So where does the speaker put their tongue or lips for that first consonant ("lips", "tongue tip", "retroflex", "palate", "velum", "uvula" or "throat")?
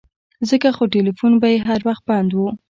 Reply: tongue tip